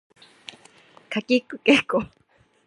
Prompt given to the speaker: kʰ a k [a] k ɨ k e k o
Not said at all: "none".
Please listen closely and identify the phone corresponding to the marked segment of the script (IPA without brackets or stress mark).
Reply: i